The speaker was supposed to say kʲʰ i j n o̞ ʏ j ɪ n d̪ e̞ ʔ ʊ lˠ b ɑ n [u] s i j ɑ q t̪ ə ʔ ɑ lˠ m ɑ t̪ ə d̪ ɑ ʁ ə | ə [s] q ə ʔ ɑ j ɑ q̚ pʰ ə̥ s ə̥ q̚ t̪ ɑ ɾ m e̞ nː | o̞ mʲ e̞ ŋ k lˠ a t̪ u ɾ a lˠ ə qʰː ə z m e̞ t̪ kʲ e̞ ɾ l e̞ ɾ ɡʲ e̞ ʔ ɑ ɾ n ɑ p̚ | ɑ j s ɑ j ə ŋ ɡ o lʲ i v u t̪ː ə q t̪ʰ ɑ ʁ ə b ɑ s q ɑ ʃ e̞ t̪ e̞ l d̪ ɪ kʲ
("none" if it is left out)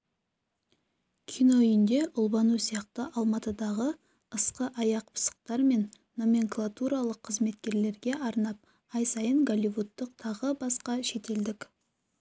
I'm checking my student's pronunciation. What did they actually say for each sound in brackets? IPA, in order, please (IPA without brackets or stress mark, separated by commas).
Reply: u, s